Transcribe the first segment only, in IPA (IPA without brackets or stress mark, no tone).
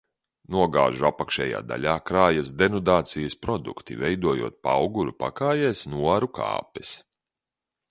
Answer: n